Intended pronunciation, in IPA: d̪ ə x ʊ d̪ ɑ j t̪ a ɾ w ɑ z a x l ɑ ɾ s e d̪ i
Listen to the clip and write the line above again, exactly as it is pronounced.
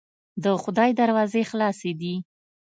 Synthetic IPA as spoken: d̪ ə x ʊ d̪ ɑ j d̪ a ɾ w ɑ z e x l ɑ s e d̪ i